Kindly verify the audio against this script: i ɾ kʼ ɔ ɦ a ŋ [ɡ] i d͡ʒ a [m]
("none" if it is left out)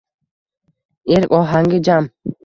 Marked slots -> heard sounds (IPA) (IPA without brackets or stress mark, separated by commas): ɡ, m